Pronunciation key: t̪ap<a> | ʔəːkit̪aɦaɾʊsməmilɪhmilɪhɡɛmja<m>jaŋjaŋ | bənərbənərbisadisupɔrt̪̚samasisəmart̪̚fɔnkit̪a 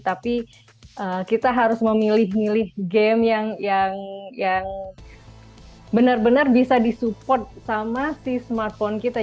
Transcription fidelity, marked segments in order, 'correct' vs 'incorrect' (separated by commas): incorrect, incorrect